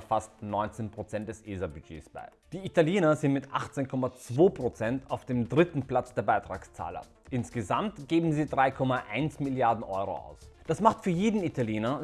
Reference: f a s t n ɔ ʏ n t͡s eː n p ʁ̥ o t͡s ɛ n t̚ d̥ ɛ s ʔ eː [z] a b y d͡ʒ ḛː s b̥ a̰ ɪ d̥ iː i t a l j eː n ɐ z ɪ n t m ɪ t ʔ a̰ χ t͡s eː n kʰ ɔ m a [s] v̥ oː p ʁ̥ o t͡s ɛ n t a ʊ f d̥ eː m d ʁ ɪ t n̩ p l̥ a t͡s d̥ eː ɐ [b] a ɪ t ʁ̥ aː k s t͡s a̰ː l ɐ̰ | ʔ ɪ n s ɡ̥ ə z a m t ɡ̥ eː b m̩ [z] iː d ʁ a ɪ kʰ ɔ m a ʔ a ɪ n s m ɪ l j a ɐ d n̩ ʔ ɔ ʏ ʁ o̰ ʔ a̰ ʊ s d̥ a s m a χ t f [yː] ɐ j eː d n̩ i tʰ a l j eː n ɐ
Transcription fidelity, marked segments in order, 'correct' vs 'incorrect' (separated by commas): correct, incorrect, correct, correct, correct